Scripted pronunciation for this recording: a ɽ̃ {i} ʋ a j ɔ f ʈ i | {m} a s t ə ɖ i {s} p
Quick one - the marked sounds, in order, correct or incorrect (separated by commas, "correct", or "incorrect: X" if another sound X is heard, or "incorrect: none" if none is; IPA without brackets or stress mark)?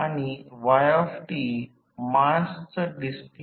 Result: correct, correct, correct